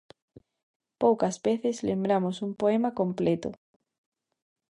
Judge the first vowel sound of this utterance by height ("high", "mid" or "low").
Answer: mid